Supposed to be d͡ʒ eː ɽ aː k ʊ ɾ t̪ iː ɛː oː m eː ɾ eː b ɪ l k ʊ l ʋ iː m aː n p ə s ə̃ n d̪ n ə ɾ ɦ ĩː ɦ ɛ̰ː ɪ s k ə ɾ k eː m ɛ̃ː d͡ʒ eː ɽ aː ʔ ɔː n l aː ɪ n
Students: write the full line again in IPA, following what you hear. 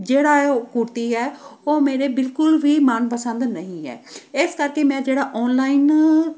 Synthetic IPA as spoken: d͡ʒ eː ɽ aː k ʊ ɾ t̪ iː ɛː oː m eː ɾ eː b ɪ l k ʊ l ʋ iː m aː n p ə s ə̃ n d̪ n ə ɦ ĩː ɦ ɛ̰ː ɪ s k ə ɾ k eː m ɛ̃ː d͡ʒ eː ɽ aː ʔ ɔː n l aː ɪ n